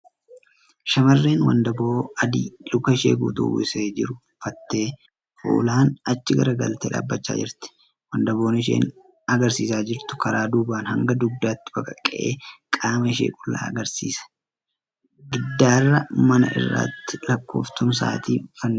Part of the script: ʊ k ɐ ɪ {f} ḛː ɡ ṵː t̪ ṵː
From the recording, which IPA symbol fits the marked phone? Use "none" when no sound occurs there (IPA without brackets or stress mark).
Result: ʃ